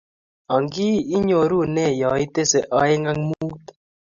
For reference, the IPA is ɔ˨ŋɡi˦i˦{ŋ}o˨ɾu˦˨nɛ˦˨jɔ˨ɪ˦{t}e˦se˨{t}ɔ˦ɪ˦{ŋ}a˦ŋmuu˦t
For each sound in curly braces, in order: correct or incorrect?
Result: incorrect: ɲ, correct, incorrect: ʔ, correct

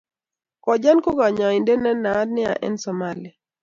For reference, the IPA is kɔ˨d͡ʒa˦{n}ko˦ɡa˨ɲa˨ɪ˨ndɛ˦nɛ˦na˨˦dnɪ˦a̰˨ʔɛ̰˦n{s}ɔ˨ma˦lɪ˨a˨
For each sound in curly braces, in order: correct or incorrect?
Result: correct, correct

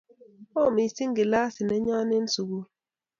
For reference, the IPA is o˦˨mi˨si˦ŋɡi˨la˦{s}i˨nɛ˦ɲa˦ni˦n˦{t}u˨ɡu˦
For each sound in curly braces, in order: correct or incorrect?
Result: correct, incorrect: s

